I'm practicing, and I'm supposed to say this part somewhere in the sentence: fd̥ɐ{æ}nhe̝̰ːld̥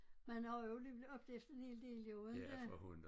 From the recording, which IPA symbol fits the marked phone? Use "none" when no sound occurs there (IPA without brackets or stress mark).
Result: e